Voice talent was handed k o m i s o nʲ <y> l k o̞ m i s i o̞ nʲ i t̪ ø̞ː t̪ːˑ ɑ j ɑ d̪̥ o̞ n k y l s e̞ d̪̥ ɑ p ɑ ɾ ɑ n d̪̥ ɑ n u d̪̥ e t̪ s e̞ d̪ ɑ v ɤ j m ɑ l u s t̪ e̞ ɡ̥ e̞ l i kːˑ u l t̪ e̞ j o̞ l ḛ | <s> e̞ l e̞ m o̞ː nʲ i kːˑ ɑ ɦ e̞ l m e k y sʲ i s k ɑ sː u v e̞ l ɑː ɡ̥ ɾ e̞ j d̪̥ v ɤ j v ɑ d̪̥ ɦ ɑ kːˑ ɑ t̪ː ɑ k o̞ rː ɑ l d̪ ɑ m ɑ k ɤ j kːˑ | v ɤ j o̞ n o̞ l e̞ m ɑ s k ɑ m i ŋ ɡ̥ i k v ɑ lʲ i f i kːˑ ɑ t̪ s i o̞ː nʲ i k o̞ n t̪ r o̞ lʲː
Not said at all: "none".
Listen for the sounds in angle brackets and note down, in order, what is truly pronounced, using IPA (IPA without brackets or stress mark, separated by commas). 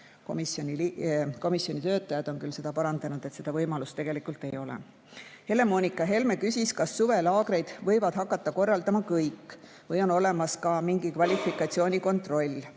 i, h